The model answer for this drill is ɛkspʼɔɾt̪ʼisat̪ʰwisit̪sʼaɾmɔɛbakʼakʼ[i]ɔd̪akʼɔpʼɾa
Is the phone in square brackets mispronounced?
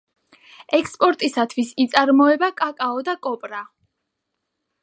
yes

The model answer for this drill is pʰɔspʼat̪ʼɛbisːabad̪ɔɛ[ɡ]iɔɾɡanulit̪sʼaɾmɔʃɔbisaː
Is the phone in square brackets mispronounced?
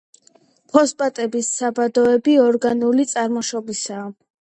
yes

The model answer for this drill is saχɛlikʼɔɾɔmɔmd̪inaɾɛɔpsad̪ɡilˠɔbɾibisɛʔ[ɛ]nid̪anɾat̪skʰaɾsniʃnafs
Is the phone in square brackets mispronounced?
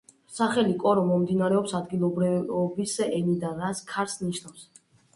no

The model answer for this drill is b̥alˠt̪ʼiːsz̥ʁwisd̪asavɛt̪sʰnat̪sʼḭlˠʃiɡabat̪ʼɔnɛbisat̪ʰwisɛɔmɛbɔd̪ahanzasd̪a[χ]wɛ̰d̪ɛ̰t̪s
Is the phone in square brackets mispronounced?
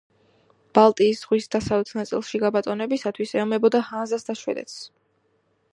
yes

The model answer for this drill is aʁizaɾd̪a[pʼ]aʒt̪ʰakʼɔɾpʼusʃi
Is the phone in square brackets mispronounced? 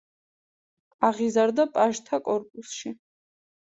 no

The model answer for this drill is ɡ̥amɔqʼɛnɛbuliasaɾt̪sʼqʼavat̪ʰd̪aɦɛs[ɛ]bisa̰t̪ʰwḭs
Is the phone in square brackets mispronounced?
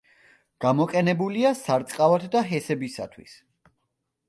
no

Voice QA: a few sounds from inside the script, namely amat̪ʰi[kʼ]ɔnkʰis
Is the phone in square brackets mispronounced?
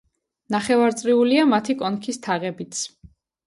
no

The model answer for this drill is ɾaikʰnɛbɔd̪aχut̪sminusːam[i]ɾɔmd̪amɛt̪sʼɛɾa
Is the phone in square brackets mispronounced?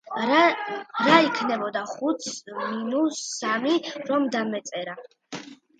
no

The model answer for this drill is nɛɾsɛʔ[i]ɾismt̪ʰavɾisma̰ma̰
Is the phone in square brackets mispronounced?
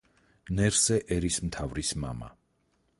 yes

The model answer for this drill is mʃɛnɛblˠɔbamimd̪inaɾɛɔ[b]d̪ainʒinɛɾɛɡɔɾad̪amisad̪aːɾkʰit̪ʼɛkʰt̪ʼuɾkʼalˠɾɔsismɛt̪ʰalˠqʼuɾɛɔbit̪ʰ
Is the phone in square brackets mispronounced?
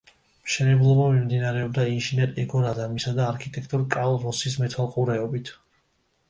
no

